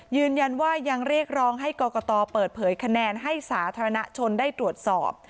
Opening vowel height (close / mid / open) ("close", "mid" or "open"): close